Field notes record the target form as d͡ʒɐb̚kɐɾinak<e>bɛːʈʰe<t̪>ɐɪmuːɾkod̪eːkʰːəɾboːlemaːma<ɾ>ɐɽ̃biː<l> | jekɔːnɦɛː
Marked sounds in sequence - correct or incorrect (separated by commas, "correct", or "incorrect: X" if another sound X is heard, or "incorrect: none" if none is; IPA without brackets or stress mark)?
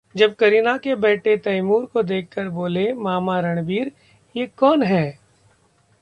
correct, correct, correct, incorrect: ɾ